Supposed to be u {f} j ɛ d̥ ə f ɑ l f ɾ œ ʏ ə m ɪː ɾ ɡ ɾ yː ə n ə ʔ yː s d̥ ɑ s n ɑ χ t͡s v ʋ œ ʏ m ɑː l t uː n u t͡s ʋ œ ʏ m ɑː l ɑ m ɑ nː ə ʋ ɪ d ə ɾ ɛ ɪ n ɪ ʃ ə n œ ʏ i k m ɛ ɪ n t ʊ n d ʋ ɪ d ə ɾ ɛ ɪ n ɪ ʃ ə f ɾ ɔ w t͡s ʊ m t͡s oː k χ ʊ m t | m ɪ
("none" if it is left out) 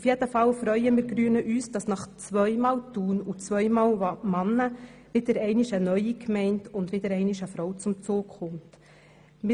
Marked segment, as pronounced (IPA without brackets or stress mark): f